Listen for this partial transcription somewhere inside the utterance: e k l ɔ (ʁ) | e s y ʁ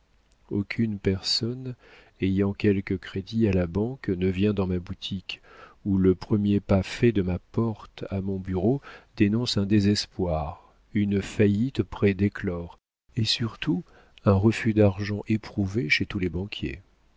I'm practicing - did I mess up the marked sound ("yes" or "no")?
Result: no